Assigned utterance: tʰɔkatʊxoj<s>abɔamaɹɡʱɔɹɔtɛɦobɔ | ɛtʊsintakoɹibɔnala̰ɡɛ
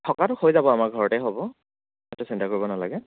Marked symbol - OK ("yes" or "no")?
no